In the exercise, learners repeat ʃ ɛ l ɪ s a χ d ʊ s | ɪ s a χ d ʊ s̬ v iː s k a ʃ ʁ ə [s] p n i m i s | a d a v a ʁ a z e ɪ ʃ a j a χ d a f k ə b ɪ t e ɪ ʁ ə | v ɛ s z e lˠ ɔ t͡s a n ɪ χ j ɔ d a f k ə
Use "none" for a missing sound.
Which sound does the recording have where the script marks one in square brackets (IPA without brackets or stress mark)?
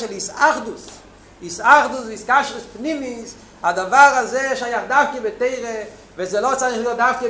s